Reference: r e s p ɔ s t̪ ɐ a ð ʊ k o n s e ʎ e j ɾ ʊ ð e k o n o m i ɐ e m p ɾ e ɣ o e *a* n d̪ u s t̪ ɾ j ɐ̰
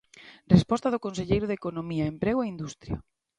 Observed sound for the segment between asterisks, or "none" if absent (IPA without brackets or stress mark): i